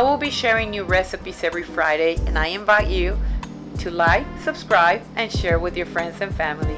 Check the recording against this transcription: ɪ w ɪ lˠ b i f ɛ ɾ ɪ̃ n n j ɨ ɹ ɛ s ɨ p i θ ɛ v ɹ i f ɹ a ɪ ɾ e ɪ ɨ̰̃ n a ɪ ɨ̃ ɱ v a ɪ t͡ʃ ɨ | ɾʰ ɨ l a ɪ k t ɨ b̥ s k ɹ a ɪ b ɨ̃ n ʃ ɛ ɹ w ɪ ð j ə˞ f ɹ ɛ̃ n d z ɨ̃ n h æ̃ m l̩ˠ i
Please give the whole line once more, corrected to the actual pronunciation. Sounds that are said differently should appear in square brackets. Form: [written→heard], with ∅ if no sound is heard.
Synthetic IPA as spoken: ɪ w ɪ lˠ b i [f→ʃ] ɛ [ɾ→ɹ] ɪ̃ [n→ŋ] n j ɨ ɹ ɛ s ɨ p i [θ→s] ɛ v ɹ i f ɹ a ɪ ɾ e ɪ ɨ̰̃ n a ɪ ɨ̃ ɱ v a ɪ t͡ʃ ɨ | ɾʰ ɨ l a ɪ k [t→s] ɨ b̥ s k ɹ a ɪ b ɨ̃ n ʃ ɛ ɹ w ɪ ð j ə˞ f ɹ ɛ̃ n d z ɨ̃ n [h→f] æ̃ m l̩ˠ i